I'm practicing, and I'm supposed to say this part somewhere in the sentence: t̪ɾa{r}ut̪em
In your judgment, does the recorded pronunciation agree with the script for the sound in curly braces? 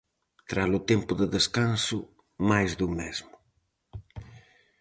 no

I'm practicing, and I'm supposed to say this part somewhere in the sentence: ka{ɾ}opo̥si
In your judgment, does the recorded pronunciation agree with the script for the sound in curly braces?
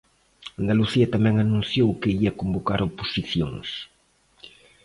yes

